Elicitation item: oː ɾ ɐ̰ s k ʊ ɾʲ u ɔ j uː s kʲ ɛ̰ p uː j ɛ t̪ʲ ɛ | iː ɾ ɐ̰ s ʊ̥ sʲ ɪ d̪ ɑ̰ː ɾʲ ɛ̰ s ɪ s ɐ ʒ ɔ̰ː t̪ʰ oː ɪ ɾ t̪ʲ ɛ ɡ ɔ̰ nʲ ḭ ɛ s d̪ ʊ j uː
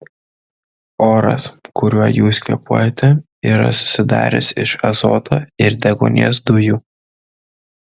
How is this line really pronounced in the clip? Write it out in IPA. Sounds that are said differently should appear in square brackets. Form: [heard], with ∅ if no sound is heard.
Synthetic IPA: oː ɾ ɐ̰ s k ʊ ɾʲ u ɔ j uː s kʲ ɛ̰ p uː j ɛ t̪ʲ ɛ | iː ɾ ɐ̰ s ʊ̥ sʲ ɪ d̪ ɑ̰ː ɾʲ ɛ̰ s ɪ [ʃ] ɐ [z] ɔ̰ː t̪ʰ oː ɪ ɾ [d̪ʲ] ɛ ɡ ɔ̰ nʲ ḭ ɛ s d̪ ʊ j uː